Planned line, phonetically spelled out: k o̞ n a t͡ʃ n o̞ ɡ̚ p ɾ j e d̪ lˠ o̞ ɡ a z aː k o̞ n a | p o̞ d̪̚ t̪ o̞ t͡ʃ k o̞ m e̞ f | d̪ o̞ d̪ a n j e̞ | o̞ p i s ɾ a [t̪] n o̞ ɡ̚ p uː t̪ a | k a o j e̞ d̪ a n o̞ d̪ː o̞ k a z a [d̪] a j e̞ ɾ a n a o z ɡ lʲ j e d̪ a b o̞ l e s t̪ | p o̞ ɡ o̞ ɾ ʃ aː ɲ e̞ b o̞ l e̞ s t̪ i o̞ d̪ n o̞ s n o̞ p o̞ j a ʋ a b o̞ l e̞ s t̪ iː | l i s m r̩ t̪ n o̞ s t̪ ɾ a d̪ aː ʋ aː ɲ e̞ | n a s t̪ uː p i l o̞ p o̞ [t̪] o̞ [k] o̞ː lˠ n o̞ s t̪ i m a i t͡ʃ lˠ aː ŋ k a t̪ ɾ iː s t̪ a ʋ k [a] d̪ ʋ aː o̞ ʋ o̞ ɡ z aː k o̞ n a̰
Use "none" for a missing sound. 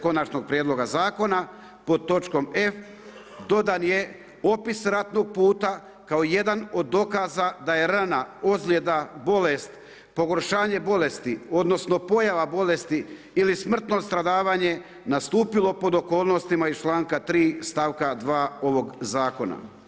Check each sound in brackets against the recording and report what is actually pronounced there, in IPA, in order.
t̪, d̪, d̪, k, a

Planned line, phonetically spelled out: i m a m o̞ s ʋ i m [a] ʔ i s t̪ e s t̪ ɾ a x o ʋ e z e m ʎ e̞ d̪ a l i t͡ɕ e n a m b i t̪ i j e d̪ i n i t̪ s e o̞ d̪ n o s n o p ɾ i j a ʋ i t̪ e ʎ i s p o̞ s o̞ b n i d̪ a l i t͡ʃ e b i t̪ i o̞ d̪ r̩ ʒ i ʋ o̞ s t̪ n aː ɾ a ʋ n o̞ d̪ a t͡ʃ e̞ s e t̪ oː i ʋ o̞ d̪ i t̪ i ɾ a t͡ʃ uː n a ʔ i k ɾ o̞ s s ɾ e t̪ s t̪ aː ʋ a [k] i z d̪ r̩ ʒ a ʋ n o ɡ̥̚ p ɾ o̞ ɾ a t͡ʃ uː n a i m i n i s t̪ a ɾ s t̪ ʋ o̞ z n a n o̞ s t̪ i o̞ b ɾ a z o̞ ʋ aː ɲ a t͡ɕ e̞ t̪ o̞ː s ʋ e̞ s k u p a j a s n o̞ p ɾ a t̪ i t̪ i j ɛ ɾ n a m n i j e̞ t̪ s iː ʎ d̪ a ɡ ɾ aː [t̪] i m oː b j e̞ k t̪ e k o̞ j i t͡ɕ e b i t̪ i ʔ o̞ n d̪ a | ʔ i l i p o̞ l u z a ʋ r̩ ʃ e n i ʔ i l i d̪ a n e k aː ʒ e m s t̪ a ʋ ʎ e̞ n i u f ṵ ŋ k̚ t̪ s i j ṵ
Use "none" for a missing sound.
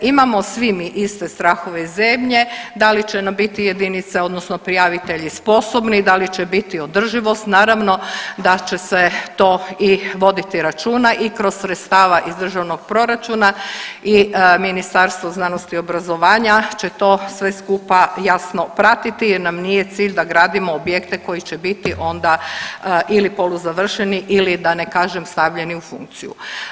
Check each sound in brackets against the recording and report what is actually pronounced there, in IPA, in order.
i, ʔ, d̪

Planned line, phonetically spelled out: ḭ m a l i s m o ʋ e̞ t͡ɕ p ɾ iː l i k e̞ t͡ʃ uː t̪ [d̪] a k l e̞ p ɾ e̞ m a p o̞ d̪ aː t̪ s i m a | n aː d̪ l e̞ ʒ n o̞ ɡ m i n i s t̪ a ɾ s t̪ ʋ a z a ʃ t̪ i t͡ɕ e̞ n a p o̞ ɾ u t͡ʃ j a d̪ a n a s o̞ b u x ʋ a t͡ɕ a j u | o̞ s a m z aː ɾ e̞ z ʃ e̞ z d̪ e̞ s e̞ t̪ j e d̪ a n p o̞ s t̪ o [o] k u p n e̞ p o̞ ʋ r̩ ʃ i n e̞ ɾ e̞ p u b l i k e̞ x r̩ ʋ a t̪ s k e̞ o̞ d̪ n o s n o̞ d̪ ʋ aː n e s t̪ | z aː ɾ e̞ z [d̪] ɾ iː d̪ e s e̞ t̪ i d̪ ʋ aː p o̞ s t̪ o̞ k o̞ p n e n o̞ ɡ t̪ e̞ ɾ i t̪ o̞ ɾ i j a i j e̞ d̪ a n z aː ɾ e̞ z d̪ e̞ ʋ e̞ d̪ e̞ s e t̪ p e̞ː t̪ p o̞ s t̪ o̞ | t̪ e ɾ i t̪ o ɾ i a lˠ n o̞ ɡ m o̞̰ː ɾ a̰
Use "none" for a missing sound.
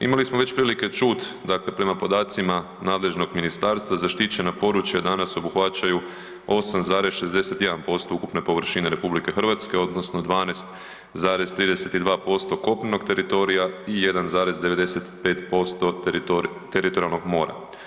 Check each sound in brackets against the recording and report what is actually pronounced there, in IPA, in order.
d̪, u, t̪

